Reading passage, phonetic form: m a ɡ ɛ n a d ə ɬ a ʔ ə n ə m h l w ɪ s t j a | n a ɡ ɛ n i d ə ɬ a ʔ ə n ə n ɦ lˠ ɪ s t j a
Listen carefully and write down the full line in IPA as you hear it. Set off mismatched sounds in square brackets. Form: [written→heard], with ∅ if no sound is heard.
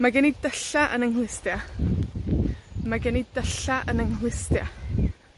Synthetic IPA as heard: m a ɡ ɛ n [a→i] d ə ɬ a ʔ ə n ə [m→ŋ] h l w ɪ s t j a | [n→m] a ɡ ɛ n i d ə ɬ a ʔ ə n ə [n→ŋ] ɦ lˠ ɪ s t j a